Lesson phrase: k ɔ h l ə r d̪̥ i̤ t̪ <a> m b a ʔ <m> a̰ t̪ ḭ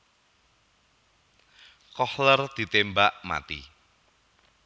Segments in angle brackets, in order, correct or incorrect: incorrect: e, correct

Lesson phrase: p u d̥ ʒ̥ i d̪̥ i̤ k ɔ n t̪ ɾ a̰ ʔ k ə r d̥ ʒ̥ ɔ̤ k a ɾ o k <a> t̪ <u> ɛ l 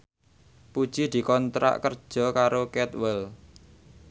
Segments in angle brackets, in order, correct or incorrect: incorrect: ɛ, incorrect: w

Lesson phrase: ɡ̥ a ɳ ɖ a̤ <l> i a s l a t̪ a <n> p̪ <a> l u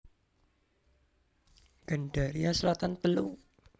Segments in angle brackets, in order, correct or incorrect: incorrect: ɾ, correct, incorrect: ə

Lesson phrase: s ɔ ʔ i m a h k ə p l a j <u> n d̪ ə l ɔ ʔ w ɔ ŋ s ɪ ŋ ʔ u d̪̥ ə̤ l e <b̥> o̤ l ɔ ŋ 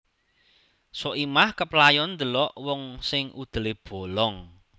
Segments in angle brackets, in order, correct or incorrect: incorrect: ɔ, correct

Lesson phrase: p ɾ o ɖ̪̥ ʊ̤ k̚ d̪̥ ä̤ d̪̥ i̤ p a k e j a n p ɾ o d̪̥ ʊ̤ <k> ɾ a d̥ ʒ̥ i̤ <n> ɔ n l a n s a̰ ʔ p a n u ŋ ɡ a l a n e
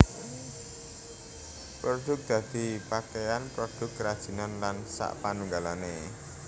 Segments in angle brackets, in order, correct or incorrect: correct, correct

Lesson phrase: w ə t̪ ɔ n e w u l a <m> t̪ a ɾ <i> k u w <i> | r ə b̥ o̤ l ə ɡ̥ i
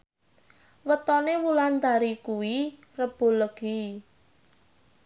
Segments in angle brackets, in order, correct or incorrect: incorrect: n, correct, correct

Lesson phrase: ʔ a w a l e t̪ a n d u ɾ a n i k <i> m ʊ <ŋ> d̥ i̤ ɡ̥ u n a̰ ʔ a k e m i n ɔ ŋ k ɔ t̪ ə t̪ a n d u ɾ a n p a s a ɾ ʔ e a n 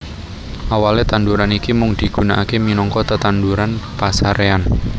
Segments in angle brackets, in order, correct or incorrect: correct, correct

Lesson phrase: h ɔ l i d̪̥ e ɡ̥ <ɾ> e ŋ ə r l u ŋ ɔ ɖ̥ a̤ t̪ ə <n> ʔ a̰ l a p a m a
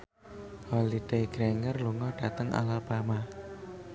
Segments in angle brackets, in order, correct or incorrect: correct, incorrect: ŋ

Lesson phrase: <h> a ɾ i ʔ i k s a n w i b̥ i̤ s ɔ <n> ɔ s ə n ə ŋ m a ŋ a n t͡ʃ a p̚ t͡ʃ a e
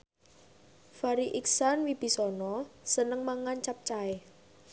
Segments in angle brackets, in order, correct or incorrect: incorrect: f, correct

